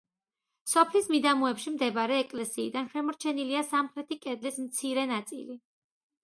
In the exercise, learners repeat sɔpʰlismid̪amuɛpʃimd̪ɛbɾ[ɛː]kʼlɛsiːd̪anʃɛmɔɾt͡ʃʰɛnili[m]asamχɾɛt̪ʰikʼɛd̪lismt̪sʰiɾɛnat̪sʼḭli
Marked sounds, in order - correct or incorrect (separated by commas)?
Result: correct, incorrect